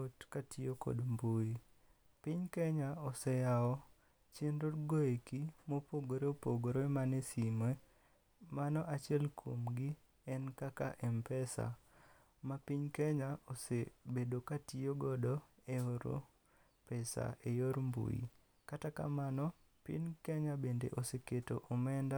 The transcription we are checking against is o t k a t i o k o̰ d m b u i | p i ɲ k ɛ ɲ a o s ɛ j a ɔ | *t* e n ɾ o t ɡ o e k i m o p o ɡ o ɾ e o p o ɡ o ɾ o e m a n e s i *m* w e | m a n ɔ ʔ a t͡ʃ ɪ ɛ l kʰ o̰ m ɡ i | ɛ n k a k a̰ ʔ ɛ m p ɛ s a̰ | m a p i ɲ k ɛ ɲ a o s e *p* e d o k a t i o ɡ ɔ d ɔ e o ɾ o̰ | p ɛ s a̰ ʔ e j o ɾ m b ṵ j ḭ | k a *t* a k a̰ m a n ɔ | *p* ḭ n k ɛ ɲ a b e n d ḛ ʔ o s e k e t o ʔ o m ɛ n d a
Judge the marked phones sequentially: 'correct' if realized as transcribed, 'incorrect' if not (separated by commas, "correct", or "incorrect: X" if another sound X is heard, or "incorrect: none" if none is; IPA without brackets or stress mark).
incorrect: t͡ʃ, correct, incorrect: b, correct, correct